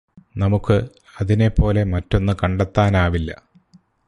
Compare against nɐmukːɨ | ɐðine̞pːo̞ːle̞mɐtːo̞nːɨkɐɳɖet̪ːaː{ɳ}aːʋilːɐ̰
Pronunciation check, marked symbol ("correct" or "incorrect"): incorrect